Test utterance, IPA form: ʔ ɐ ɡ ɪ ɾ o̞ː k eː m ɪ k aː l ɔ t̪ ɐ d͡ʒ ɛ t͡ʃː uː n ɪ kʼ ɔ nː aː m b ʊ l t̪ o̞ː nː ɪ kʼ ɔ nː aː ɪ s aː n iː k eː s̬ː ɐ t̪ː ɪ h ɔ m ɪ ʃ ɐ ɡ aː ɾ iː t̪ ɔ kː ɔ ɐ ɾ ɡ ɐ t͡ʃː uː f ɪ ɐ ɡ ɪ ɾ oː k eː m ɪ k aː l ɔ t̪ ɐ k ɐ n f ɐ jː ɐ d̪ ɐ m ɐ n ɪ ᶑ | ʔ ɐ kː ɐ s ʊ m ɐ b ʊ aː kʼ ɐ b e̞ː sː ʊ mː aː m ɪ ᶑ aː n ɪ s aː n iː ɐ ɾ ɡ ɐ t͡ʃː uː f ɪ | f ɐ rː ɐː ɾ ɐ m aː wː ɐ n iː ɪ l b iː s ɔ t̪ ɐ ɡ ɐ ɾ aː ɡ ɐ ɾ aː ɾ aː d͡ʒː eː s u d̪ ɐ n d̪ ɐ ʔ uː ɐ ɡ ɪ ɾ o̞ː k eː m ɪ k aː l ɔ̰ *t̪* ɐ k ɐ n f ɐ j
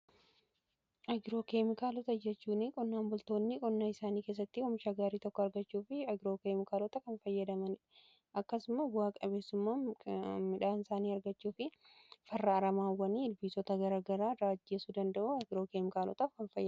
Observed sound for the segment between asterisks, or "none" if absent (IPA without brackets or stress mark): t̪